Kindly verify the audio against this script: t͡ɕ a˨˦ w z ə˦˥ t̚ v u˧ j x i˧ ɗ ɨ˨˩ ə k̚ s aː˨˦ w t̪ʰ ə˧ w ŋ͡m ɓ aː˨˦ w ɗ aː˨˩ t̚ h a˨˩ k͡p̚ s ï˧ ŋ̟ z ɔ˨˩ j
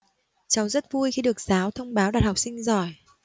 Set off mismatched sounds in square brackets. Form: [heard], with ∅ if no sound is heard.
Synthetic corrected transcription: t͡ɕ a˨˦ w z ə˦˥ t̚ v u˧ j x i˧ ɗ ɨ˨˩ ə k̚ [z] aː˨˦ w t̪ʰ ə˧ w ŋ͡m ɓ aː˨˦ w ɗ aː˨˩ t̚ h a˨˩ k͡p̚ s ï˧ ŋ̟ z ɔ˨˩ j